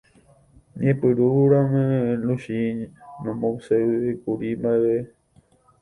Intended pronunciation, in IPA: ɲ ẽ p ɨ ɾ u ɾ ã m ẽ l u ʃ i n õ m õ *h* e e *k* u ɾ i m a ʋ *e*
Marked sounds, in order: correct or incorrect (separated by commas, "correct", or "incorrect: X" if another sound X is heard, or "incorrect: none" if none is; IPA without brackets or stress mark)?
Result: incorrect: s, correct, correct